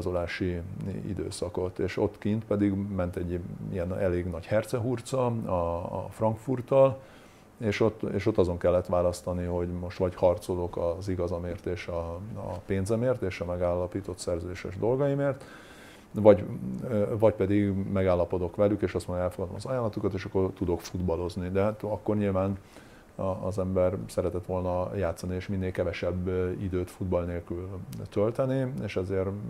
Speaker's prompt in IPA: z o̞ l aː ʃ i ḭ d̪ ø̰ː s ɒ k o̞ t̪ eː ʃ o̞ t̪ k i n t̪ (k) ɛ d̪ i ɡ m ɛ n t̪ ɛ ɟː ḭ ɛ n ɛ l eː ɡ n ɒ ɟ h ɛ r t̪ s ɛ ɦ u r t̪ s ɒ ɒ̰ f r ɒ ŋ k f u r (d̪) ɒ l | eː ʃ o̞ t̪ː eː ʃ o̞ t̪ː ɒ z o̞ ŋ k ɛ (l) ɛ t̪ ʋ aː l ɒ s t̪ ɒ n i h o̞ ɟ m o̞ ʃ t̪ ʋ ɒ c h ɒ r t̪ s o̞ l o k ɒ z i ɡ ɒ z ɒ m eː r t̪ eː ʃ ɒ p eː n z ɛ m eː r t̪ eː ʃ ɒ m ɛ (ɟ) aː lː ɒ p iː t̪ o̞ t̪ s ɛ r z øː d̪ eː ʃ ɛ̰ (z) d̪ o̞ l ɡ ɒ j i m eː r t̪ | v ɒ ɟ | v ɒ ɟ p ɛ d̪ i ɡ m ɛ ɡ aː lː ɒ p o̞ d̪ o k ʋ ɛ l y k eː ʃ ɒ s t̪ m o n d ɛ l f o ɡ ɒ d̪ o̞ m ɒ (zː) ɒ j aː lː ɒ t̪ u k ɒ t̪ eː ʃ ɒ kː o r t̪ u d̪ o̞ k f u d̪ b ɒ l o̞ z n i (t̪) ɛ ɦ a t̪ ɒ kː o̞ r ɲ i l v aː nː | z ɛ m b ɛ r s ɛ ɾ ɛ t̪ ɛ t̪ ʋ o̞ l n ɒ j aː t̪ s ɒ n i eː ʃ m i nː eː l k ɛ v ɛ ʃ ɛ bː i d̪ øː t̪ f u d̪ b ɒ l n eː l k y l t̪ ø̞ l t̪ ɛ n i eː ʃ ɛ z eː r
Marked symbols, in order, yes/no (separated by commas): no, no, no, no, no, no, no